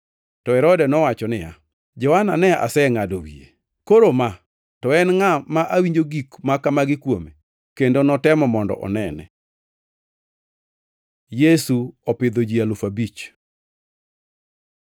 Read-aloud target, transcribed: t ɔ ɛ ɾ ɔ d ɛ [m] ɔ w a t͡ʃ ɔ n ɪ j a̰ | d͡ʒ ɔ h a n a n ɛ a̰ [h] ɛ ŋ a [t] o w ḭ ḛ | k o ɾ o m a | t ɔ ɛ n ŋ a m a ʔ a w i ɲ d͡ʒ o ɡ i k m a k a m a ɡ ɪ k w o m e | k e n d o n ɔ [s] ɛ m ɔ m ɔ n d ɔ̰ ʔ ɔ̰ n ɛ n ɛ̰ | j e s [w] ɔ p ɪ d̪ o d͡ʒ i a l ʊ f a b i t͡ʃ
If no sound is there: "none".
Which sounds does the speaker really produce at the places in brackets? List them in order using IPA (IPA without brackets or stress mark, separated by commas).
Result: n, s, d, t, u